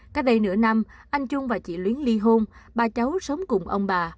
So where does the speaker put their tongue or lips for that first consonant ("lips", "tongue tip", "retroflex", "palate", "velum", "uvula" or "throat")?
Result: velum